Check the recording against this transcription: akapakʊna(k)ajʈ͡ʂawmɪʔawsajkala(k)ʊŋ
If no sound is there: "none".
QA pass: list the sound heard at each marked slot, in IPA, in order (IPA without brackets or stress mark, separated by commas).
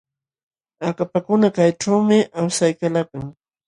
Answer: k, k